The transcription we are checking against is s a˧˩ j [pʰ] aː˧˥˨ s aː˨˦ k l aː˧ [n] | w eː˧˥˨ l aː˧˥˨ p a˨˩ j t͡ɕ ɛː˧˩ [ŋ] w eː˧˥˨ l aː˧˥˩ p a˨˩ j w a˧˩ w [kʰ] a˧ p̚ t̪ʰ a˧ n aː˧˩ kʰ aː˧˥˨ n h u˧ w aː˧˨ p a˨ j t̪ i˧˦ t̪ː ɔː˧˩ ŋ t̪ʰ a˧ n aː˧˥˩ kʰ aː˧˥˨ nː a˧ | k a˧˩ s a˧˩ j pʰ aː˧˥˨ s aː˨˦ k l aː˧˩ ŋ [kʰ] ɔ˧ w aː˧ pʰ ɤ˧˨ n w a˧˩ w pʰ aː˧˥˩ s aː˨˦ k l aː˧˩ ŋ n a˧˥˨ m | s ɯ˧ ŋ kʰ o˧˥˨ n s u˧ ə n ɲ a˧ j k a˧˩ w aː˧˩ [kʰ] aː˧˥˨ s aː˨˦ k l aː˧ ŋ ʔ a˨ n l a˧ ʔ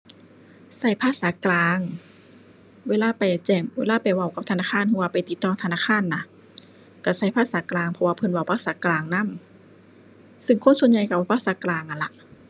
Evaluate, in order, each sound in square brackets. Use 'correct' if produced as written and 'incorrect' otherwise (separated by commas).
correct, incorrect, correct, incorrect, incorrect, incorrect